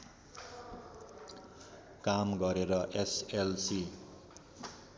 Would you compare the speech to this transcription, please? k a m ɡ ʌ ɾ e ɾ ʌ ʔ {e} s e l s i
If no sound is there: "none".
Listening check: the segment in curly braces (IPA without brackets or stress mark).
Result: e